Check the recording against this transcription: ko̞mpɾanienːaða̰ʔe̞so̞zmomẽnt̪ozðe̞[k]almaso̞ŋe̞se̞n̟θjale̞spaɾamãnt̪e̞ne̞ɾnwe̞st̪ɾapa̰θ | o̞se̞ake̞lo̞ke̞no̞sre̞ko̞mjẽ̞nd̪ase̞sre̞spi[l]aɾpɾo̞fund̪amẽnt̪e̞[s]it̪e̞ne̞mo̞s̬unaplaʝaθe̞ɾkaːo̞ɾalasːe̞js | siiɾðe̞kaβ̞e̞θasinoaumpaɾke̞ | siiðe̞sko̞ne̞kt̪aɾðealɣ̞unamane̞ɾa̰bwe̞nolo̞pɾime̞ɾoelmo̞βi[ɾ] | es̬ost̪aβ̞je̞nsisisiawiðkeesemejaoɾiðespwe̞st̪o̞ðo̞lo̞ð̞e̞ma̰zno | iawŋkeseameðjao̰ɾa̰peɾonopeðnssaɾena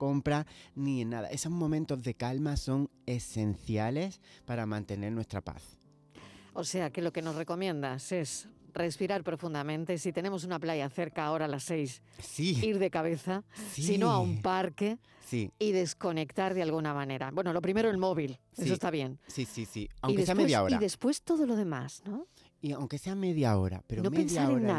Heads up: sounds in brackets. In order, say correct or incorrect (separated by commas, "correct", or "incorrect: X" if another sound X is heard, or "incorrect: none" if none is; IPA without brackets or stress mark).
correct, incorrect: ɾ, correct, incorrect: l